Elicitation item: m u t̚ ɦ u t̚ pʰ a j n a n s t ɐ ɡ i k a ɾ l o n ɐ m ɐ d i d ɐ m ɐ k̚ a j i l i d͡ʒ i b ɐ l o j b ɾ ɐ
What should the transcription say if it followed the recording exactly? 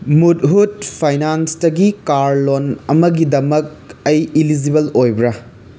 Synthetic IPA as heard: m u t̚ ɦ u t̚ pʰ a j n a n s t ɐ ɡ i k a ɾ l o n ɐ m ɐ ɡ i d ɐ m ɐ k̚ ɐ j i l i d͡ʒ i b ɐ l o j b ɾ ɐ

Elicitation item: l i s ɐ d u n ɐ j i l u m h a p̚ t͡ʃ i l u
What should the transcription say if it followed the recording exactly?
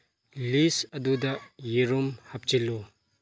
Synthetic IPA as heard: l i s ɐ d u d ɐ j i ɾ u m h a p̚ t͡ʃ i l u

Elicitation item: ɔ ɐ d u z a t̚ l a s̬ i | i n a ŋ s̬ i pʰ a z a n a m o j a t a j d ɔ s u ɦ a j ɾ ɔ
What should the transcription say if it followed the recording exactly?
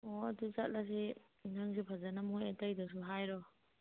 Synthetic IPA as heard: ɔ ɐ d u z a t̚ l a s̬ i | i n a ŋ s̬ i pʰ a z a n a m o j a t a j d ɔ s u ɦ a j ɾ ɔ

